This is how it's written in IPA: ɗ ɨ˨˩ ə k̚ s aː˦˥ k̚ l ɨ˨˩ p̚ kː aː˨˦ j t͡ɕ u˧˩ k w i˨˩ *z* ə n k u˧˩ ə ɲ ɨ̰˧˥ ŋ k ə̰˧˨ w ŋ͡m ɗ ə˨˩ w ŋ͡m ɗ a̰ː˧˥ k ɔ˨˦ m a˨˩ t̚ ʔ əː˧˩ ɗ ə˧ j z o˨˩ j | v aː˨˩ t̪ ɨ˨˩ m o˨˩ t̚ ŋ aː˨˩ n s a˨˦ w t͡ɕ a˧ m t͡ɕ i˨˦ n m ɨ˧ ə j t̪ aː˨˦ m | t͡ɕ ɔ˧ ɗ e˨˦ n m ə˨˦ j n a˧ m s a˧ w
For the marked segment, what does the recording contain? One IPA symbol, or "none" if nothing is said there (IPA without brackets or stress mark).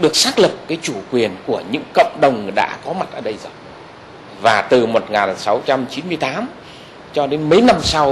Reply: none